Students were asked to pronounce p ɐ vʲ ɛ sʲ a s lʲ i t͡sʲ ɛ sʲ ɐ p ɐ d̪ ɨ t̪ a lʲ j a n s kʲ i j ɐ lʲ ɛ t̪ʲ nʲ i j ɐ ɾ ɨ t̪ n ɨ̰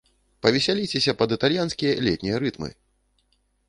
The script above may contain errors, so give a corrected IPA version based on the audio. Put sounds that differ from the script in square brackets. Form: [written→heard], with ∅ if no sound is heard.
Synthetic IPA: p ɐ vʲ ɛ sʲ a [s→∅] lʲ i t͡sʲ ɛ sʲ ɐ p ɐ d̪ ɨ t̪ a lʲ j a n s kʲ i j ɐ lʲ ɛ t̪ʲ nʲ i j ɐ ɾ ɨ t̪ [n→m] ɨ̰